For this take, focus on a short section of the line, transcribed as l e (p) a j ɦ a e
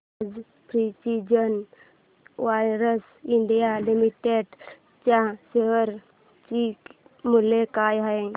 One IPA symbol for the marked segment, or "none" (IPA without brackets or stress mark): k